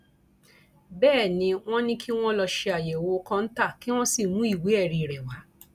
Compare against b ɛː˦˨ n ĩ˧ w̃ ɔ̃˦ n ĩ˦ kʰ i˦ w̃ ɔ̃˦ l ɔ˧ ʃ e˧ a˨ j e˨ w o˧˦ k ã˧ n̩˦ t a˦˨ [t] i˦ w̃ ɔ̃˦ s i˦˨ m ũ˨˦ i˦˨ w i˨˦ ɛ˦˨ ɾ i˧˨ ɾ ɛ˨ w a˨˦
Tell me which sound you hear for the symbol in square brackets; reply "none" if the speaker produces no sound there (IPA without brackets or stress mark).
k